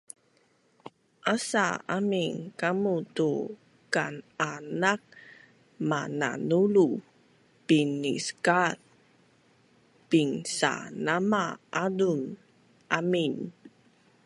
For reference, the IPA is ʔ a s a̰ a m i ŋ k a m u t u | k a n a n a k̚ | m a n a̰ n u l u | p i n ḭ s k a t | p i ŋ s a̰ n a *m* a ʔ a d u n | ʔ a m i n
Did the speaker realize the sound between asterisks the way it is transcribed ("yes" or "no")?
yes